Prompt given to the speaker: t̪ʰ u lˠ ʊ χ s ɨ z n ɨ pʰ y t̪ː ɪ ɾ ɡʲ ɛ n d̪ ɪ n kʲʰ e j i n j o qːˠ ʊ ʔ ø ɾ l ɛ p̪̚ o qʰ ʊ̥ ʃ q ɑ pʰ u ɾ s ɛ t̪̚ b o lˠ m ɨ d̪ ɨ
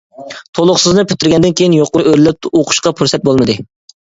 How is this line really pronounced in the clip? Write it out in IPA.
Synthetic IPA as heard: t̪ʰ o lˠ ʊ χ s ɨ z n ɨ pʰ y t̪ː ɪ ɾ ɡʲ ɛ n d̪ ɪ n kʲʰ e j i n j o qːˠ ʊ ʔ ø ɾ l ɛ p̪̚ o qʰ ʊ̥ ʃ q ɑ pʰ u ɾ s ɛ t̪̚ b o lˠ m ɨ d̪ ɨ